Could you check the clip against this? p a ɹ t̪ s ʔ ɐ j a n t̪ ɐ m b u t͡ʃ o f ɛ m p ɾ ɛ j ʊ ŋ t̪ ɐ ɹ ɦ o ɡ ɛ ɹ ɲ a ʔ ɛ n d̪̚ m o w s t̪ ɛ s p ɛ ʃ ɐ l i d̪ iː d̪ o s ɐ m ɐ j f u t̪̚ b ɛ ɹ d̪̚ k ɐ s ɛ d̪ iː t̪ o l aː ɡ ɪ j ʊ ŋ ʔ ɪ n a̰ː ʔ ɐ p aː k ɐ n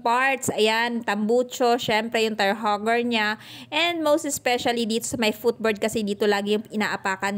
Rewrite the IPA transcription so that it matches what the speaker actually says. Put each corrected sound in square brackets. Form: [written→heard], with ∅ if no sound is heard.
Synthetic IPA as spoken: p a ɹ t̪ s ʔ ɐ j a n t̪ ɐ m b u t͡ʃ o [f→ʃ] ɛ m p ɾ ɛ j ʊ ŋ t̪ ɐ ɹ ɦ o ɡ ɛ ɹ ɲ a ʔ ɛ n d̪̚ m o w s t̪ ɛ s p ɛ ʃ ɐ l i d̪ iː [d̪→t̪] o s ɐ m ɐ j f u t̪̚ b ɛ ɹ d̪̚ k ɐ s ɛ d̪ iː t̪ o l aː ɡ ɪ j ʊ ŋ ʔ ɪ n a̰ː ʔ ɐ p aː k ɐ n

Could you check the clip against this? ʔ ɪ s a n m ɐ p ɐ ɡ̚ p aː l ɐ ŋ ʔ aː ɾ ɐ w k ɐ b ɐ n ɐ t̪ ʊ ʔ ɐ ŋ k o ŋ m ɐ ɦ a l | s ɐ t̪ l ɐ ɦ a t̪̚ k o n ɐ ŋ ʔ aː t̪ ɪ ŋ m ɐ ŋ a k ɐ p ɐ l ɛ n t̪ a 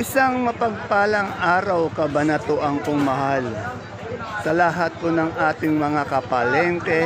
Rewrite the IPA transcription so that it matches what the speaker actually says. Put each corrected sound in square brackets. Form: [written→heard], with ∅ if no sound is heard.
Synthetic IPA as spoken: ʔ ɪ s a [n→ŋ] m ɐ p ɐ ɡ̚ p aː l ɐ ŋ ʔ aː ɾ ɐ w k ɐ b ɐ n ɐ t̪ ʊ ʔ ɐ ŋ k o ŋ m ɐ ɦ a l | s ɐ [t̪→∅] l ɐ ɦ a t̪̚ k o n ɐ ŋ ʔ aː t̪ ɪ ŋ m ɐ ŋ a k ɐ p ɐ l ɛ n t̪ [a→ɛ]

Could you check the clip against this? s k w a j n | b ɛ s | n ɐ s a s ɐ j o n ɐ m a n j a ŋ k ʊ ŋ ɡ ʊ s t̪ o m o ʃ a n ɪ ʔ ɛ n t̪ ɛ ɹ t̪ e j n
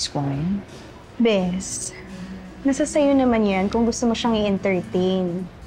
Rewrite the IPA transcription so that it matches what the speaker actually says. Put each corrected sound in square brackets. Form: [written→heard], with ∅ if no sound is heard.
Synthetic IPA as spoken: s k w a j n | b ɛ s | n ɐ s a s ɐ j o n ɐ m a n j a [ŋ→n] k ʊ ŋ ɡ ʊ s t̪ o m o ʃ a [n→ŋ] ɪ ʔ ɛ n t̪ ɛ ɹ t̪ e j n

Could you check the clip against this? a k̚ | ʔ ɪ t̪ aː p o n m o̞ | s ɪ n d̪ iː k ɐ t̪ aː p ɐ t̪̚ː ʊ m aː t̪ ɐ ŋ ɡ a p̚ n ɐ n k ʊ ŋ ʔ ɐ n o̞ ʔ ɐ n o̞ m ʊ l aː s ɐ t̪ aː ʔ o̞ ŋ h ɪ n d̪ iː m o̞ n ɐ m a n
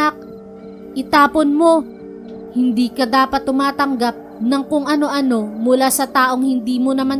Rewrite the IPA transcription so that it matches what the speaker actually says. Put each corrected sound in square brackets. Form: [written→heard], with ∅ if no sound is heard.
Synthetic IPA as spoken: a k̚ | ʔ ɪ t̪ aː p o n m o̞ | [s→h] ɪ n d̪ iː k ɐ [t̪→d̪] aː p ɐ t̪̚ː ʊ m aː t̪ ɐ ŋ ɡ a p̚ n ɐ [n→ŋ] k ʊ ŋ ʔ ɐ n o̞ ʔ ɐ n o̞ m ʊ l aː s ɐ t̪ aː ʔ o̞ ŋ h ɪ n d̪ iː m o̞ n ɐ m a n

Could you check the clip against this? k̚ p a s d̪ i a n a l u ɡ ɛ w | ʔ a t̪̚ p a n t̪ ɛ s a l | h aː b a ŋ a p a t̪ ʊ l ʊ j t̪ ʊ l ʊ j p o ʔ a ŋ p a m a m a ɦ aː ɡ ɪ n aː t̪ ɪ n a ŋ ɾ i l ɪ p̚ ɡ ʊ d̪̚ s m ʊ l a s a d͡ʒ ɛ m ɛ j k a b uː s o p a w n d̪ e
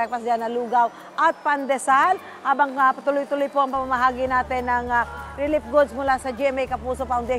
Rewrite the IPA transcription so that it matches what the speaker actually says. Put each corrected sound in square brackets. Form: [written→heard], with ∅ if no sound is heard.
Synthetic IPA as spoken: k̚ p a s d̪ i a n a l u ɡ [ɛ→a] w | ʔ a t̪̚ p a n [t̪→d̪] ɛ s a l | h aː b a ŋ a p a t̪ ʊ l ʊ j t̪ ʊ l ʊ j p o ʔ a ŋ p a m a m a ɦ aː ɡ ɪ n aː t̪ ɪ n a ŋ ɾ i l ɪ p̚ ɡ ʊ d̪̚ s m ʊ l a s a d͡ʒ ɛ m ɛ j k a [b→p] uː s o p a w n d̪ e

